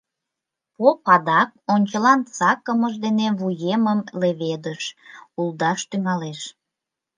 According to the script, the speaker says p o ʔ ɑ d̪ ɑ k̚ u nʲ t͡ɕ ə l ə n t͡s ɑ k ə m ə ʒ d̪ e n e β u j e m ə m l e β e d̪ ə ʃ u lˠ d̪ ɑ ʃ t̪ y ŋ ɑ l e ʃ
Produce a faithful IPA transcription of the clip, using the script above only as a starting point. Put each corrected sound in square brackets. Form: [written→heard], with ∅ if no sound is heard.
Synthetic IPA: p o [ʔ→p] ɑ d̪ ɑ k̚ [u→o] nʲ t͡ɕ ə l [ə→ɑ] n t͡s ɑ k ə m ə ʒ d̪ e n e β u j e m ə m l e β e d̪ ə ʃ u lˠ d̪ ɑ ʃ t̪ y ŋ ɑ l e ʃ